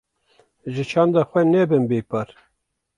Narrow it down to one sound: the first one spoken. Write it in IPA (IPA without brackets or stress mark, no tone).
ʒ